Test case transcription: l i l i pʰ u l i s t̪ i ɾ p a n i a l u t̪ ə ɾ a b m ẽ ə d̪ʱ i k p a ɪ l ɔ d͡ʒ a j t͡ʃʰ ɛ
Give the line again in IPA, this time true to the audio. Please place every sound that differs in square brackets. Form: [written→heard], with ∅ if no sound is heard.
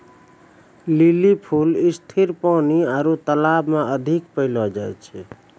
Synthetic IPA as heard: l i l i pʰ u l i s [t̪→t̪ʰ] i ɾ p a n i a [l→ɾ] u t̪ ə [ɾ→l] a b m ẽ ə d̪ʱ i k p [a→ə] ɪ l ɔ d͡ʒ a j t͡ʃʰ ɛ